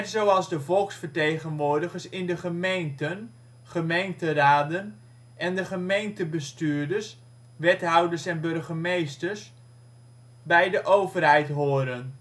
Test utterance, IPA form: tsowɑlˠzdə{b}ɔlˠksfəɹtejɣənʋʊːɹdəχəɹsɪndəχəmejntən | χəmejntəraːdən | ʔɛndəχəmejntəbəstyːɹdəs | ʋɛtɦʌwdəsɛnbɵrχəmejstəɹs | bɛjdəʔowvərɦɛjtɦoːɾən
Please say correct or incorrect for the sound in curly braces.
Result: incorrect